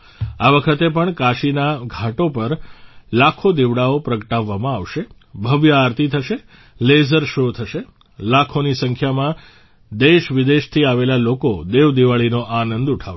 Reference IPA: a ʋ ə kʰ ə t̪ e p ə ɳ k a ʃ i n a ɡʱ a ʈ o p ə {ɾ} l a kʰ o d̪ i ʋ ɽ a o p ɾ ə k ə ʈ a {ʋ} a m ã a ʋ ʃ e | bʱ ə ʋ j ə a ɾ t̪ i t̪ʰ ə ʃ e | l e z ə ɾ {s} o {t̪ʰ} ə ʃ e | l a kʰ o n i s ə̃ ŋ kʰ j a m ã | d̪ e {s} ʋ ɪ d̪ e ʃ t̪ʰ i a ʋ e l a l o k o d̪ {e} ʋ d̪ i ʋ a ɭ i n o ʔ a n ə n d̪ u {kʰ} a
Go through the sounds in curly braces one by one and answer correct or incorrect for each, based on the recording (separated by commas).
correct, incorrect, incorrect, correct, incorrect, correct, incorrect